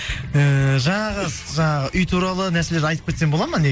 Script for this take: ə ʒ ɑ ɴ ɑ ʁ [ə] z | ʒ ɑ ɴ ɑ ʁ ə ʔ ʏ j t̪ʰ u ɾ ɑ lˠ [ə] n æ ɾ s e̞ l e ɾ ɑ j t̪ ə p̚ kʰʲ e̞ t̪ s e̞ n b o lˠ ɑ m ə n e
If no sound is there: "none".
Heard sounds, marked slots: ə, ə

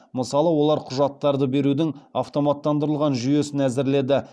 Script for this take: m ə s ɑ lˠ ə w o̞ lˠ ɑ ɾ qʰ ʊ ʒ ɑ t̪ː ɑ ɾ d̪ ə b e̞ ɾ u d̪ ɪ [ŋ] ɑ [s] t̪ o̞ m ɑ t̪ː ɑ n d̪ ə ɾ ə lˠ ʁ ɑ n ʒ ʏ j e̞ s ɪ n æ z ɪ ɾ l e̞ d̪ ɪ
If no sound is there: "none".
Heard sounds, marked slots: ŋ, f

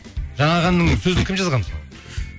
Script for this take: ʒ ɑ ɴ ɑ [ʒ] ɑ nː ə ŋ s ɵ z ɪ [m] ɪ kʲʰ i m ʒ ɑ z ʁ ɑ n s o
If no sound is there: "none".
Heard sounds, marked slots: ʁ, n

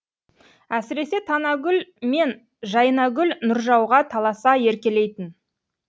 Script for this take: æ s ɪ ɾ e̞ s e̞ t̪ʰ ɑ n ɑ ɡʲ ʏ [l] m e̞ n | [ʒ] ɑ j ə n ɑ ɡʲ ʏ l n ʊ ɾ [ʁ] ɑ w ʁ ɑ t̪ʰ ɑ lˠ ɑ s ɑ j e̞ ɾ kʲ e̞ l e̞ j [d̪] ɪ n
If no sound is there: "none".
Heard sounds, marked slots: l, ʒ, ʒ, t̪

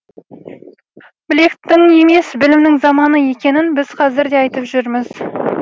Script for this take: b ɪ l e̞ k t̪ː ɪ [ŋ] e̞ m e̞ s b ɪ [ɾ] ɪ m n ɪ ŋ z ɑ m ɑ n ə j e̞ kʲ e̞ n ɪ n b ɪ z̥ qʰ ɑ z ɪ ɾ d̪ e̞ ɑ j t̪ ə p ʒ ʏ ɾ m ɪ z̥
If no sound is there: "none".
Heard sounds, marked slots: ŋ, l

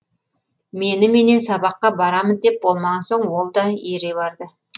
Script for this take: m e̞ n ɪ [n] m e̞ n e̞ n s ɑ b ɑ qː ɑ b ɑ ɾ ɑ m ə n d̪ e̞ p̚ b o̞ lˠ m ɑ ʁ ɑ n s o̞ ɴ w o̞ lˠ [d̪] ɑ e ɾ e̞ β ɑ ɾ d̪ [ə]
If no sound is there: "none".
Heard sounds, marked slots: none, d̪, ə

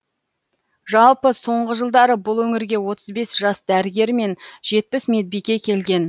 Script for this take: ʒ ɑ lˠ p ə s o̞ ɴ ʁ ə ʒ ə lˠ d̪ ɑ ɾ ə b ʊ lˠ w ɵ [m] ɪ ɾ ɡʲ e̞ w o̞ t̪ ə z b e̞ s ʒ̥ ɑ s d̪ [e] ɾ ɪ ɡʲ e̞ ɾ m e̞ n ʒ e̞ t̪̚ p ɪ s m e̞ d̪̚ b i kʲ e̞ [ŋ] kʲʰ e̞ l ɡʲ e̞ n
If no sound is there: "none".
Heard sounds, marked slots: ŋ, æ, none

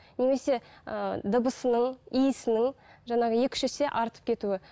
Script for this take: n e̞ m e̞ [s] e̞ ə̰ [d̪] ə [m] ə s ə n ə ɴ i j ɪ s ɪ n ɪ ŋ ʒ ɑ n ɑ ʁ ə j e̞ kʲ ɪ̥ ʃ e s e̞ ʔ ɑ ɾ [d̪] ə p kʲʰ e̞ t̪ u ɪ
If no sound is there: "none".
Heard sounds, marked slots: s, d̪, b, t̪

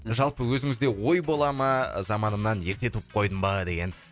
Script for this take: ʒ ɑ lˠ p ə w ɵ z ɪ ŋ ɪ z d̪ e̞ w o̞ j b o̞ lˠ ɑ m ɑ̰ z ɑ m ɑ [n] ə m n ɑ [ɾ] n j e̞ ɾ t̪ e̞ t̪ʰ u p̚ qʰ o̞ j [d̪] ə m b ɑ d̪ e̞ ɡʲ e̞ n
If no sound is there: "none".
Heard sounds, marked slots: n, none, d̪

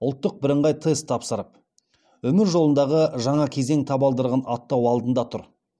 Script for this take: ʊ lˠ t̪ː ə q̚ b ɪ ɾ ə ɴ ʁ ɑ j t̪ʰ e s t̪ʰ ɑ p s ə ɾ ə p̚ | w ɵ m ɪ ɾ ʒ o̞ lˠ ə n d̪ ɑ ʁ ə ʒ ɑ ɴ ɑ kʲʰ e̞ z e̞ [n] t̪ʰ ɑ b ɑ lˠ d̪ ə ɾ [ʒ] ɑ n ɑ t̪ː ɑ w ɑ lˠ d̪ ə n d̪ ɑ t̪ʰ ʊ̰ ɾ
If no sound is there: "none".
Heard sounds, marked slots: ŋ, ʁ

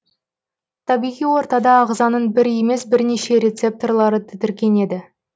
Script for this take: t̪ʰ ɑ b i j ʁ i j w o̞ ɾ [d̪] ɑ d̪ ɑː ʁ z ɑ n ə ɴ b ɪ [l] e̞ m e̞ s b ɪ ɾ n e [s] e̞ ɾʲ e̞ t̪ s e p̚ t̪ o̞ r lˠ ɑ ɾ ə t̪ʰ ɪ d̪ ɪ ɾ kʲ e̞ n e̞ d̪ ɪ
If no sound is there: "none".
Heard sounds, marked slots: t̪, ɾ, ʃ

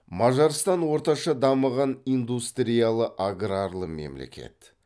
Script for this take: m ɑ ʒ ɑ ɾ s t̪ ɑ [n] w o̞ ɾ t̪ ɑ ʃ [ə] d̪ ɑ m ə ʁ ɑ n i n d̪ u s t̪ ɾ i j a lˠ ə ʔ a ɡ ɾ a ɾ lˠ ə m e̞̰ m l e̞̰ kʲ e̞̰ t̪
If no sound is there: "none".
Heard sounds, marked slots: n, ɑ

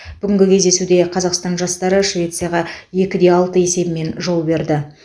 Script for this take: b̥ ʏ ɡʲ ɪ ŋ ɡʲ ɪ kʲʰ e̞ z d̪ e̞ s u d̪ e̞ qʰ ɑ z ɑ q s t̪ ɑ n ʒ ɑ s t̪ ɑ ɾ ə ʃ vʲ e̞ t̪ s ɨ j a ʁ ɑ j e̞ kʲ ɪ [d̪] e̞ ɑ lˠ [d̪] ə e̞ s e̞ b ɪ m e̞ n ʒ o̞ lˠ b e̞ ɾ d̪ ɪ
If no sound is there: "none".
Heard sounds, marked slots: d̪, t̪

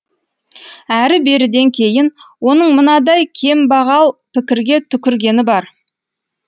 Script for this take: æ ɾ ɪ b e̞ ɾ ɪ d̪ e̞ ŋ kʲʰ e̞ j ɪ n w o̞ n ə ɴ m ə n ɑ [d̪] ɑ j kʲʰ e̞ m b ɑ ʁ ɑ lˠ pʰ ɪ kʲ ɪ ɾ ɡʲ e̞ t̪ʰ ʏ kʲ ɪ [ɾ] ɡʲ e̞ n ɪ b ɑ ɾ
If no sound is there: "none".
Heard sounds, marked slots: d̪, ɾ

